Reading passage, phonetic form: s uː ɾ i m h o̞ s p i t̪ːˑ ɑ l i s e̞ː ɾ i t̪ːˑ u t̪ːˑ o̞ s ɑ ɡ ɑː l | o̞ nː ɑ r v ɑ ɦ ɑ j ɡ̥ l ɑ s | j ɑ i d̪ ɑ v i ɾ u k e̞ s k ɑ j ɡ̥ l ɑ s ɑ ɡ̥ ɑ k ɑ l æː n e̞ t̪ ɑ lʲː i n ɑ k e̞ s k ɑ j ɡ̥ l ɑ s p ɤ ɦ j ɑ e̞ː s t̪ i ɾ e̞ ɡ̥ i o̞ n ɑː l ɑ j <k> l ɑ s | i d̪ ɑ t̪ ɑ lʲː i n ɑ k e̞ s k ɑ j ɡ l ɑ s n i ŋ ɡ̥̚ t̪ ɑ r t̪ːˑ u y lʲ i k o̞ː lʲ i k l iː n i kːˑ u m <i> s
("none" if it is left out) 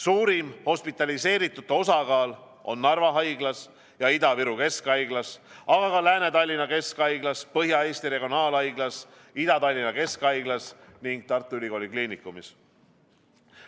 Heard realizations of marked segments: ɡ, i

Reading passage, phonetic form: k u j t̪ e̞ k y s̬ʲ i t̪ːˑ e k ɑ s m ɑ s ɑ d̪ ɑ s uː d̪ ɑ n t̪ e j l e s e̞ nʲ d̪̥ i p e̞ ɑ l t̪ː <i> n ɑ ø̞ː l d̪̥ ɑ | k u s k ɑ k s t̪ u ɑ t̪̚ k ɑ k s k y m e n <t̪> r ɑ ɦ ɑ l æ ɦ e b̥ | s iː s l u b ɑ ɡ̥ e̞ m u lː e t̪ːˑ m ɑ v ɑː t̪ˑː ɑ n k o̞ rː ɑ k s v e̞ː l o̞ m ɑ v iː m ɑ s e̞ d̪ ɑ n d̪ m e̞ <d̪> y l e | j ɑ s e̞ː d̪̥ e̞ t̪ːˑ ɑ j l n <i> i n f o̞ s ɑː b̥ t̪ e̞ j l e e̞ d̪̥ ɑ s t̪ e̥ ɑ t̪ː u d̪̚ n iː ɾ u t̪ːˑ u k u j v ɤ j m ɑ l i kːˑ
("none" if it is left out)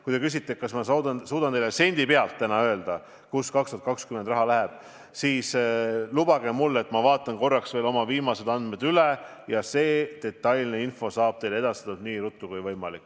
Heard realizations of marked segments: æ, d̪, d̪, e

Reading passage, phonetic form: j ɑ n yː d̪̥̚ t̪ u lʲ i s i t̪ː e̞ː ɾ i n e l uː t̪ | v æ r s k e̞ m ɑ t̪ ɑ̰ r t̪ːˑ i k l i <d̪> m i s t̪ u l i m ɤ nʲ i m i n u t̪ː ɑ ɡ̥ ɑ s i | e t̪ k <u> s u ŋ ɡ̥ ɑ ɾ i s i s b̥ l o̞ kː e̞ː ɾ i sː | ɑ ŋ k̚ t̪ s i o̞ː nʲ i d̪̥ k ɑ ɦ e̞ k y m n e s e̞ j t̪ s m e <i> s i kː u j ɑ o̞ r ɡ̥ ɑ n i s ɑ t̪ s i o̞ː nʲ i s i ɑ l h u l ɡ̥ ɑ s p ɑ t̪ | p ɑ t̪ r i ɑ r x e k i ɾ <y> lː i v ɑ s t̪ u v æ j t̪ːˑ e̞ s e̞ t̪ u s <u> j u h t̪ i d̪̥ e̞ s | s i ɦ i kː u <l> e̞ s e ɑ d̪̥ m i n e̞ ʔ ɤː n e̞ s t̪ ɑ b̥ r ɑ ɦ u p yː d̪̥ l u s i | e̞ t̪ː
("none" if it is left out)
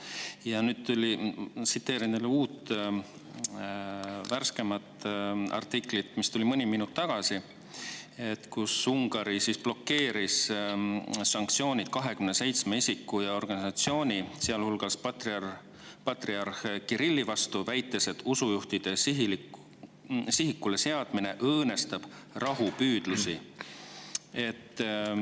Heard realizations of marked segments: t̪, u, i, i, u, l

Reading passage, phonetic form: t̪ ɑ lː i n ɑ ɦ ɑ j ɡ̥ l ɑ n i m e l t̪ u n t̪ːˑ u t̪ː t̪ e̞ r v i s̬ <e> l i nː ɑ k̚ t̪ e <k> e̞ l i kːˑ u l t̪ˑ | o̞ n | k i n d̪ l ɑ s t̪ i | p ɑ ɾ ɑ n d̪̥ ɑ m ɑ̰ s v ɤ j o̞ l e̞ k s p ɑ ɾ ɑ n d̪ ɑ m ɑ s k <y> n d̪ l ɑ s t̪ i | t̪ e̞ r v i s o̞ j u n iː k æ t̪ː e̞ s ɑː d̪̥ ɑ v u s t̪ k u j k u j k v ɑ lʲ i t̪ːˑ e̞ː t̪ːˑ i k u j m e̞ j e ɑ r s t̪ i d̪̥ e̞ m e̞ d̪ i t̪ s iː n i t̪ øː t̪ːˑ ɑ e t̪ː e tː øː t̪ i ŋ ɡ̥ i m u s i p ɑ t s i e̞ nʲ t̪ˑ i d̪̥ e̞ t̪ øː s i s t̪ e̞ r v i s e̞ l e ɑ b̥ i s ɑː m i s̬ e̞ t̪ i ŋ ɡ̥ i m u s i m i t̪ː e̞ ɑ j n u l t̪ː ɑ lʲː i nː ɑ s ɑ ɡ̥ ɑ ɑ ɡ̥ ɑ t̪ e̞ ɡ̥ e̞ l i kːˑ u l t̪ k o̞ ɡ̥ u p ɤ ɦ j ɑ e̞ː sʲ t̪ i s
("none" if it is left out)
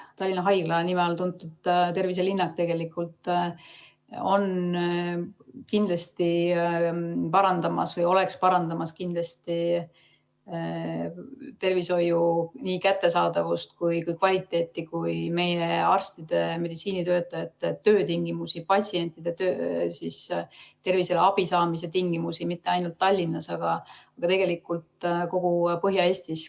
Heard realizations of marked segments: e, ɡ, i

